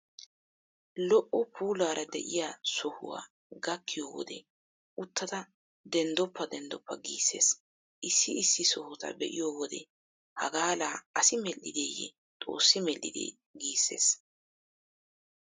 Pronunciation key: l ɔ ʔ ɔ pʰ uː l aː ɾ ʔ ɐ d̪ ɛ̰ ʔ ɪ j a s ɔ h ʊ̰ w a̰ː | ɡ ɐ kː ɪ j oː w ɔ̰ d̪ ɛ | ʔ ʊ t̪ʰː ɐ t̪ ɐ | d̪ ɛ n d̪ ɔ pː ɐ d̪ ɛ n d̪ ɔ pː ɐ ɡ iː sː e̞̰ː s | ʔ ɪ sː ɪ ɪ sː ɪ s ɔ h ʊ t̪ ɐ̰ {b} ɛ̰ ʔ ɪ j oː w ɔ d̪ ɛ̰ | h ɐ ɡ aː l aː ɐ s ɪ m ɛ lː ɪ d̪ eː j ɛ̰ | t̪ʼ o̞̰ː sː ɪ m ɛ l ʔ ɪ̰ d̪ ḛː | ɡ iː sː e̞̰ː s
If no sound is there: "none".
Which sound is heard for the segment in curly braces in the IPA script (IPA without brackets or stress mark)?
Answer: b